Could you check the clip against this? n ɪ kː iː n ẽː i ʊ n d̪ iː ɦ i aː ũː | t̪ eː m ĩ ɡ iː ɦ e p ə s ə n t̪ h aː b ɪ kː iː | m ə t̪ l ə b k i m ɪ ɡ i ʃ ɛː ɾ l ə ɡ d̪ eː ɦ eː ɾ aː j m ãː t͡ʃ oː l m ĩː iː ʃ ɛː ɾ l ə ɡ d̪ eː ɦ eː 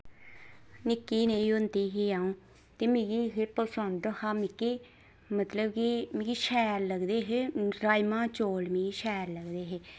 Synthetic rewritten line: n ɪ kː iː n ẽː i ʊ n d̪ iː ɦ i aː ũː | t̪ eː m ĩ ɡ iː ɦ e p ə s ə n d̪ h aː m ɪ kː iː | m ə t̪ l ə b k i m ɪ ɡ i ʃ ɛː ɾ l ə ɡ d̪ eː ɦ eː ɾ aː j m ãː t͡ʃ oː l m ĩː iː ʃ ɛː ɾ l ə ɡ d̪ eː ɦ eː

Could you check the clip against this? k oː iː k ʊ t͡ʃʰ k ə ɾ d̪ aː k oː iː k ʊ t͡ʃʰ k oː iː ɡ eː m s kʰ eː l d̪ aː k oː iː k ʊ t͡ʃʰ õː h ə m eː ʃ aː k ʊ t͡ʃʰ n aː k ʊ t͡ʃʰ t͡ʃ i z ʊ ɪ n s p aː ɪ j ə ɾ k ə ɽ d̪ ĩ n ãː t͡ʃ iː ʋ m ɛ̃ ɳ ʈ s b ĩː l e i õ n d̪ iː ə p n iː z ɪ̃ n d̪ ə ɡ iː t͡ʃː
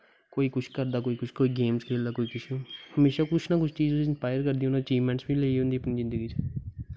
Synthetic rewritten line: k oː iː k ʊ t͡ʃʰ k ə ɾ d̪ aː k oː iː k ʊ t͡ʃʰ k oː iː ɡ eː m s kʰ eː l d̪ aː k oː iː k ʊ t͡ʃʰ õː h ə m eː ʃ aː k ʊ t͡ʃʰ n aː k ʊ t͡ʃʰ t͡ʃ iː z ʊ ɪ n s p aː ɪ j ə ɾ k ə ɾ d̪ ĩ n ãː t͡ʃ iː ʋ m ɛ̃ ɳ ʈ s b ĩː l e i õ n d̪ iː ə p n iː z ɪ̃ n d̪ ə ɡ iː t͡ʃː

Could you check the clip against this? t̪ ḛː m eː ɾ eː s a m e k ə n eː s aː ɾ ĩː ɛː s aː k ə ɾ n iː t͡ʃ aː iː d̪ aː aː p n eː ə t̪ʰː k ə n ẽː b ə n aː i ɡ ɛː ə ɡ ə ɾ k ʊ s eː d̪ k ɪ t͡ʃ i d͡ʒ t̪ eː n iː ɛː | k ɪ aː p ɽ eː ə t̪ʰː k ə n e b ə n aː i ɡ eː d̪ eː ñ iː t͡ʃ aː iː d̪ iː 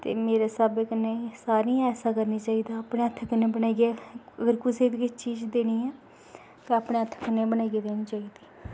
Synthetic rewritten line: t̪ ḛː m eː ɾ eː s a b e k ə n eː s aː ɾ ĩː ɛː s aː k ə ɾ n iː t͡ʃ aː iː d̪ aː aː p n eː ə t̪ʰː k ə n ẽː b ə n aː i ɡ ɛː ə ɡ ə ɾ k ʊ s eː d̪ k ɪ t͡ʃ iː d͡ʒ d̪ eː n iː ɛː | k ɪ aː p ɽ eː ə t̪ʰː k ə n e b ə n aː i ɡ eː d̪ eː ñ iː t͡ʃ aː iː d̪ iː

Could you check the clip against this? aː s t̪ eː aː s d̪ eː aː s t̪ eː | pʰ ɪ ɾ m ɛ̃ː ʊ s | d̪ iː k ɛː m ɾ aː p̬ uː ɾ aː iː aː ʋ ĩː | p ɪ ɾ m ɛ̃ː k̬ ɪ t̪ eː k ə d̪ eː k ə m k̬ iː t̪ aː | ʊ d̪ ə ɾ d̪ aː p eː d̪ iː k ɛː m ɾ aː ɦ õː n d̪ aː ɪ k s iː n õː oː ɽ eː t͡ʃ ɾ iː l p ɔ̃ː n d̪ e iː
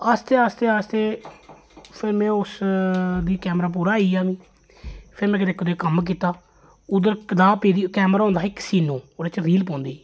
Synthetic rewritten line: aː s t̪ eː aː s t̪ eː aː s t̪ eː | pʰ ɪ ɾ m ɛ̃ː ʊ s | d̪ iː k ɛː m ɾ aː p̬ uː ɾ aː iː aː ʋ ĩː | pʰ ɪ ɾ m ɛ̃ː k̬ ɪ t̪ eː k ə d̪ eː k ə m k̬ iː t̪ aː | ʊ d̪ ə ɾ d̪ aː p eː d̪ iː k ɛː m ɾ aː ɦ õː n d̪ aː ɪ k s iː n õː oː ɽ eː t͡ʃ ɾ iː l p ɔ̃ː n d̪ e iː

